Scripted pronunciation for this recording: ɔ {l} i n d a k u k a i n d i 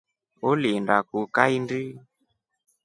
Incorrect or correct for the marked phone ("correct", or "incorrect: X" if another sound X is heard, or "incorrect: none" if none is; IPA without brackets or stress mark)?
correct